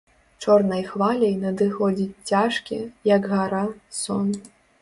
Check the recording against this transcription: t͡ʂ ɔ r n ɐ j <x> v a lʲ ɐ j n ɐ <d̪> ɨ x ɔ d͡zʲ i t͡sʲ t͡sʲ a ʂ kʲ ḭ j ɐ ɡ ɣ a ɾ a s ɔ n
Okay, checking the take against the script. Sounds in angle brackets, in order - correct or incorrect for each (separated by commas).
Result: correct, correct